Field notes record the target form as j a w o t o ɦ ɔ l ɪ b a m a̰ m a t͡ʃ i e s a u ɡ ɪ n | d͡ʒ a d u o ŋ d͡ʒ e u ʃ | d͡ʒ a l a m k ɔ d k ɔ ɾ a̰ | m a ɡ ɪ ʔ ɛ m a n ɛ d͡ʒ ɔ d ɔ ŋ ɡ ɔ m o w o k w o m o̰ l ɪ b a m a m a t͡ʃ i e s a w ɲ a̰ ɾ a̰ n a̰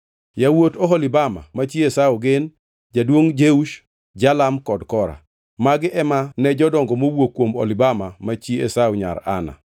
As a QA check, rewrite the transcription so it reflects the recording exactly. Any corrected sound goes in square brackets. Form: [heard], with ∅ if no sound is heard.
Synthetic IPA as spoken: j a w o t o ɦ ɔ l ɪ b a m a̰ m a t͡ʃ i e s a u ɡ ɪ n | d͡ʒ a d [w] o ŋ d͡ʒ e u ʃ | d͡ʒ a l a m k ɔ d k ɔ ɾ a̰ | m a ɡ ɪ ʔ ɛ m a n ɛ d͡ʒ ɔ d ɔ ŋ ɡ ɔ m o w o k w o m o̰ l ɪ b a m a m a t͡ʃ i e s a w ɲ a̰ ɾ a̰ n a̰